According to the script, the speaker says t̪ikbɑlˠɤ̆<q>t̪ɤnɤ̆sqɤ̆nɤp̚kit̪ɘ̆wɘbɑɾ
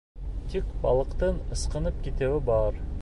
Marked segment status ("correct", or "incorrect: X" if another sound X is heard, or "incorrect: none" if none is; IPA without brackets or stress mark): correct